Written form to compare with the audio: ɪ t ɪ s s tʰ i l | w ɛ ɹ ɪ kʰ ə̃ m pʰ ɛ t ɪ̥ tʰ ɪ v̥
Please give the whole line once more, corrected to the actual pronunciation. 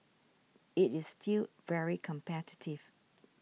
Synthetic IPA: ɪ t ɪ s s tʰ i l | v ɛ ɹ i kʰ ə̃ m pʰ ɛ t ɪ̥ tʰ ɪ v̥